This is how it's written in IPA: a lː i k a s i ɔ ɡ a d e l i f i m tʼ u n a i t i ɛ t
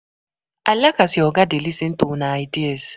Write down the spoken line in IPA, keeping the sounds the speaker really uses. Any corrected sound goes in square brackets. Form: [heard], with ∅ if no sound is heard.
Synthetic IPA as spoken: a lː [a] k a s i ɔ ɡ a d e l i [s] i [n] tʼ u n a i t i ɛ [s]